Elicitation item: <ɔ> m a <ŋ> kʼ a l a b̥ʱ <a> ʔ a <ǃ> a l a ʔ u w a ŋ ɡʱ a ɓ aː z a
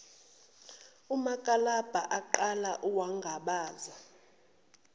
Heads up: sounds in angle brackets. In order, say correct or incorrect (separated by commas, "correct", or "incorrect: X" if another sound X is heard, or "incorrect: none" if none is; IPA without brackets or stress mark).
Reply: incorrect: u, incorrect: none, correct, correct